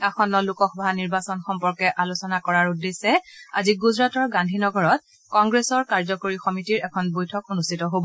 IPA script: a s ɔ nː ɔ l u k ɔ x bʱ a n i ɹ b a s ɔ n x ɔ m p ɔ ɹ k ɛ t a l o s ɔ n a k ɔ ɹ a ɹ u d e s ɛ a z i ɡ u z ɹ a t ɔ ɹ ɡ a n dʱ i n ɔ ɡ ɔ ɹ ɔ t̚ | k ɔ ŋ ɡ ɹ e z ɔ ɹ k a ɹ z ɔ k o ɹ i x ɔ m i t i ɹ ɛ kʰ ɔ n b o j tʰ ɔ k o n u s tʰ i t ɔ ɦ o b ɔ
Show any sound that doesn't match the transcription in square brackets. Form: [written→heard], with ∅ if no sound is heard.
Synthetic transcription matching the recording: a [s→x] ɔ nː ɔ l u k ɔ x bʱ a n i ɹ b a s ɔ n x ɔ m p ɔ ɹ k ɛ [t→ʔ] a l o s ɔ n a k ɔ ɹ a ɹ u d e s ɛ a z i ɡ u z ɹ a t ɔ ɹ ɡ a n dʱ i n ɔ ɡ ɔ ɹ ɔ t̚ | k ɔ ŋ ɡ ɹ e [z→s] ɔ ɹ k a ɹ z ɔ k o ɹ i x ɔ m i t i ɹ ɛ kʰ ɔ n b o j tʰ ɔ k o n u s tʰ i t ɔ ɦ o b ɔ